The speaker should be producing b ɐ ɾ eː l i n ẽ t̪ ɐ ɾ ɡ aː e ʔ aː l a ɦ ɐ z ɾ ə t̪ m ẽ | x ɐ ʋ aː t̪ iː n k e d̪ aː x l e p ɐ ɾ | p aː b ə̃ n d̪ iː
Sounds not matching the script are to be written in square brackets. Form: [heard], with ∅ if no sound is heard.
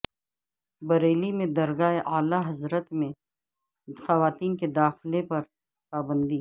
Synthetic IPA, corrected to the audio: b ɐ ɾ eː l i [m] ẽ [d̪] ɐ ɾ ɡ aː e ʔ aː l a ɦ ɐ z ɾ ə t̪ m ẽ | x ɐ ʋ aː t̪ iː n k e d̪ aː x l e p ɐ ɾ | p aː b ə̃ n d̪ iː